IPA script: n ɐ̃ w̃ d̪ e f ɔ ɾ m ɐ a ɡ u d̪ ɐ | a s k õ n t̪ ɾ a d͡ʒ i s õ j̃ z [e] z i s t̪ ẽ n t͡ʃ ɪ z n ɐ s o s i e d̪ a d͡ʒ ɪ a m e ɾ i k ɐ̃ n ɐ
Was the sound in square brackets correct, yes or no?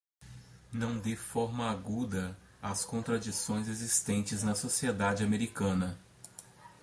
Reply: yes